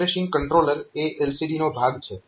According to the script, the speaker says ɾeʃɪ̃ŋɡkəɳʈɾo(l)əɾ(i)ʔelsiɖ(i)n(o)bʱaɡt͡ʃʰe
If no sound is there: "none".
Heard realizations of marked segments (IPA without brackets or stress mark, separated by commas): l, e, i, o